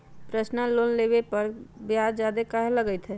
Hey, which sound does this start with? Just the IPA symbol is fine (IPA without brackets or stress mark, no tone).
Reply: p